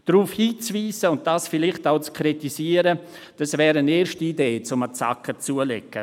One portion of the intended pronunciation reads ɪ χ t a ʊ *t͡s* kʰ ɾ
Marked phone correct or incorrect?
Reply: correct